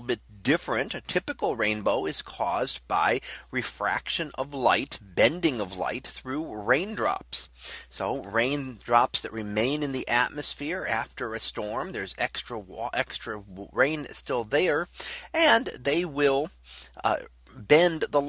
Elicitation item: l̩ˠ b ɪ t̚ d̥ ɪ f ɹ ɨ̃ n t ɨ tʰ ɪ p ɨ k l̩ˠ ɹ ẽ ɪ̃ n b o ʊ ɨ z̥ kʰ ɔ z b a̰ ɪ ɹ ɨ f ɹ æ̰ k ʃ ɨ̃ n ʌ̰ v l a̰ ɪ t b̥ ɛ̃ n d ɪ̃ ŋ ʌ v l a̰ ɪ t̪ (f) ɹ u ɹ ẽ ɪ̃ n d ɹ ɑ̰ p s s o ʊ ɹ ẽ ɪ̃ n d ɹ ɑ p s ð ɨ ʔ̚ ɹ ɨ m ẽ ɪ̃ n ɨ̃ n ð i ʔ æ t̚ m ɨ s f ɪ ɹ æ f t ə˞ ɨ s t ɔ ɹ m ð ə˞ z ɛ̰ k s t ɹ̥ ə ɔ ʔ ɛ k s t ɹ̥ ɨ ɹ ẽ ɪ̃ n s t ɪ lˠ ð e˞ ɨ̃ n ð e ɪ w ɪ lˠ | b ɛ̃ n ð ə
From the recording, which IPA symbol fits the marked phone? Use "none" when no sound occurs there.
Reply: θ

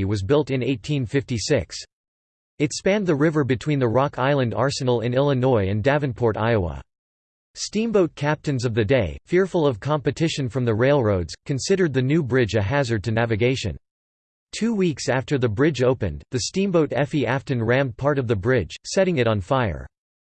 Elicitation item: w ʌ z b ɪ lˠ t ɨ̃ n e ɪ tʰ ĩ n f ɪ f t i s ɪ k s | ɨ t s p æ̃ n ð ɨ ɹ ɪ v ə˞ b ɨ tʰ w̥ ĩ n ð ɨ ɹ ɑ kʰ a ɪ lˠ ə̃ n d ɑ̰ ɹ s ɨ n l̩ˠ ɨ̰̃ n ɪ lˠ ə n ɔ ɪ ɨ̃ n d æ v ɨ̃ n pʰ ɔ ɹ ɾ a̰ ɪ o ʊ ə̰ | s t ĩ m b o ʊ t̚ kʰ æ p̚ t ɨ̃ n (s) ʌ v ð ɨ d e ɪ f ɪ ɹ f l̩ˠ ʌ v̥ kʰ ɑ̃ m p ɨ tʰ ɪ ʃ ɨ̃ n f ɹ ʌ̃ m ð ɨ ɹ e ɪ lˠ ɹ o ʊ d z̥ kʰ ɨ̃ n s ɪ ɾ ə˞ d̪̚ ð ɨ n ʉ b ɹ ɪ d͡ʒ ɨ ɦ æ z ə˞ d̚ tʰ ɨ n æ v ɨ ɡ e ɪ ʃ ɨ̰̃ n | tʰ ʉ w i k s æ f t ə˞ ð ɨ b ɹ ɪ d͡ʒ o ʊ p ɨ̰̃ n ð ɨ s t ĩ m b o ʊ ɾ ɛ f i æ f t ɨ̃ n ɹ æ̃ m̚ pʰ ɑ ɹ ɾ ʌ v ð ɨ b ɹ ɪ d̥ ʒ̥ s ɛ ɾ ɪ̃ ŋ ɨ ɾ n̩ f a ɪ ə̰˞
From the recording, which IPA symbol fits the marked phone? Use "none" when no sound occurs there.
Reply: z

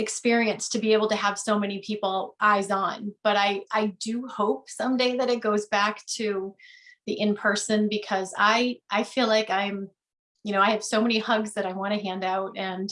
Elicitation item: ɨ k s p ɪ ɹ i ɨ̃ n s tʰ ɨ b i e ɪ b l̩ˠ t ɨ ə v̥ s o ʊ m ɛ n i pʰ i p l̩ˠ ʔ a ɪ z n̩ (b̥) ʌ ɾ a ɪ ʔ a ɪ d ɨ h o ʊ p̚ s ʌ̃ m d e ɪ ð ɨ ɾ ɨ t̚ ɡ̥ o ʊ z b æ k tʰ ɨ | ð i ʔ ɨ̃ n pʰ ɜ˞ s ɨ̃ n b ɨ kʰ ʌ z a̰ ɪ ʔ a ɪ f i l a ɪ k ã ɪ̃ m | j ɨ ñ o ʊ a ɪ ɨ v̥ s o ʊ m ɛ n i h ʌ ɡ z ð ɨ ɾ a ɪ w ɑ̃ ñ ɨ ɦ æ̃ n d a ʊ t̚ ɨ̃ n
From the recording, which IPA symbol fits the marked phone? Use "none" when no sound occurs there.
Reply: b̥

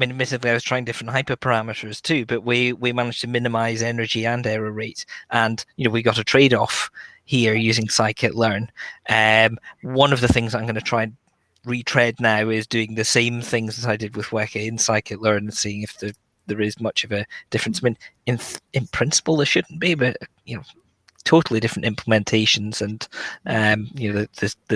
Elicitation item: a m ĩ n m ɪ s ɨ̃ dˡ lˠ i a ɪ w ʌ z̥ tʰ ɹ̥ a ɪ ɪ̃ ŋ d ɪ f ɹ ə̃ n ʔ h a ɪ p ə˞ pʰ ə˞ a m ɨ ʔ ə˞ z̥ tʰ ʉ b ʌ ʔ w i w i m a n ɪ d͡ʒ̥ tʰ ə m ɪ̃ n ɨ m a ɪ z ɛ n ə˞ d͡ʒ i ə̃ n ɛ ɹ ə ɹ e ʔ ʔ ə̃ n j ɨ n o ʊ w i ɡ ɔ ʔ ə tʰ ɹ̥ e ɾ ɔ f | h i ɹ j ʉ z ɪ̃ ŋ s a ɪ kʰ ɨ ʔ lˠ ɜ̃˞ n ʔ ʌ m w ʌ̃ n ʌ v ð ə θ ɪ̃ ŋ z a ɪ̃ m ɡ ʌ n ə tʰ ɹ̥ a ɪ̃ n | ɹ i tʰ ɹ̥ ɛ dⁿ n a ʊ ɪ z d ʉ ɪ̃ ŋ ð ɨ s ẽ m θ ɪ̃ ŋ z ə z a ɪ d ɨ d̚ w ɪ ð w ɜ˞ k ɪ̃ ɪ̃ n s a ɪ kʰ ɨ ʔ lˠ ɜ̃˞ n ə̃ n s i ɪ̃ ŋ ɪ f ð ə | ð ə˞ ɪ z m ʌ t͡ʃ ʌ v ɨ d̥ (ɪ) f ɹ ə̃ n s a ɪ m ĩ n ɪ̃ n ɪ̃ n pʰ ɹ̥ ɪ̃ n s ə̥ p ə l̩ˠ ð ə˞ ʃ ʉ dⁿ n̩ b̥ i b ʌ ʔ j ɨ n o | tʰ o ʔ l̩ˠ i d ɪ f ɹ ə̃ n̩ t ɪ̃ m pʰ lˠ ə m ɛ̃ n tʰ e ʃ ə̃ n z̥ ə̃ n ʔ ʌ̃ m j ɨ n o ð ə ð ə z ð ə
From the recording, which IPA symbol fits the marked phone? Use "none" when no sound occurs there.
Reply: ɪ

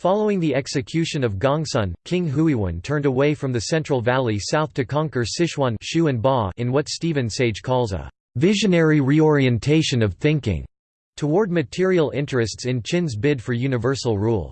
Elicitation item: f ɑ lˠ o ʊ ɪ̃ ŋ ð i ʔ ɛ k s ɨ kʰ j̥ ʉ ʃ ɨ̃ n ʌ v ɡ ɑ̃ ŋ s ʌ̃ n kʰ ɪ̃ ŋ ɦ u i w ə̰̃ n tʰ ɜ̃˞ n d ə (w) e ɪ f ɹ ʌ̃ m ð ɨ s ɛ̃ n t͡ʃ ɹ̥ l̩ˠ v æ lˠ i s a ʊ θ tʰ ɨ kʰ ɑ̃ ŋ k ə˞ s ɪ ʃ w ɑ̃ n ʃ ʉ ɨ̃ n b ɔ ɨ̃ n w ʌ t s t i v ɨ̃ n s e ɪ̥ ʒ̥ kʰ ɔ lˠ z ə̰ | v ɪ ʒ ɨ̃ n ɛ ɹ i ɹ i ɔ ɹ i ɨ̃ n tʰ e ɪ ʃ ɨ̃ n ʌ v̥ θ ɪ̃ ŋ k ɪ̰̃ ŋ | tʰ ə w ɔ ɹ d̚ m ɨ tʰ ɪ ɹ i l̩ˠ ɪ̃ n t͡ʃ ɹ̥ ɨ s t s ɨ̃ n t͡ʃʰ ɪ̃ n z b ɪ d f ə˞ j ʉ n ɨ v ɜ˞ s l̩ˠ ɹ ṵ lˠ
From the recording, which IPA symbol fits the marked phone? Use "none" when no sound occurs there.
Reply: w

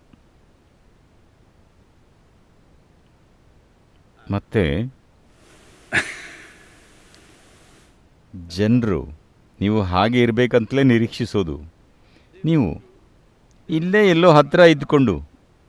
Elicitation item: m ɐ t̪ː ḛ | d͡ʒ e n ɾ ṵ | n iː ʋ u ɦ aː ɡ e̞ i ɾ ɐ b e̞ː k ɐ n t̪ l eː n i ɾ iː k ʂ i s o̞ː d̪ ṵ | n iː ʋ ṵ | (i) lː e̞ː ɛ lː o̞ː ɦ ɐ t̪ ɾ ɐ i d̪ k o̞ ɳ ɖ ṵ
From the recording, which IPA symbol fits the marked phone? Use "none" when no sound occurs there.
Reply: i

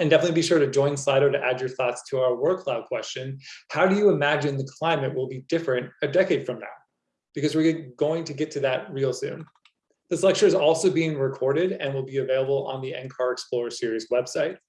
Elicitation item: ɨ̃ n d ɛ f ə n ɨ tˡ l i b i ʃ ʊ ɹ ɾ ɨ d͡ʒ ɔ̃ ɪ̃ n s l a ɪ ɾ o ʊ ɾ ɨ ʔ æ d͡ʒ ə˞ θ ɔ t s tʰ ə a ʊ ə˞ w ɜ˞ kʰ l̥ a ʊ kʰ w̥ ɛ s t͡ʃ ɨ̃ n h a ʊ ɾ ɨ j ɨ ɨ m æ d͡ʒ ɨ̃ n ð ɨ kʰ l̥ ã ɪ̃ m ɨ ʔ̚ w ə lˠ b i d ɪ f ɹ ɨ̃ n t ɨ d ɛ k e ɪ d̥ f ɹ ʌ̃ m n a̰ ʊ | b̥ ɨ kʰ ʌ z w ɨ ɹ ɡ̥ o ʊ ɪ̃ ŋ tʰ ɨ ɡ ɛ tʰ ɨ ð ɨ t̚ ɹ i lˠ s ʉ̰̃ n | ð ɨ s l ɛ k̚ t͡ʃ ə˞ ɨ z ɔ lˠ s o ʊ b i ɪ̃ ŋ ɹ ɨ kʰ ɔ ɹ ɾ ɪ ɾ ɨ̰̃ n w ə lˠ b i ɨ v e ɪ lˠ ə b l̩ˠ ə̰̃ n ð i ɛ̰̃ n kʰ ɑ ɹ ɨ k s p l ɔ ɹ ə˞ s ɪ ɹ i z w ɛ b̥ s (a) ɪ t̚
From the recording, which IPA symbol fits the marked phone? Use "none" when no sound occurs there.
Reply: a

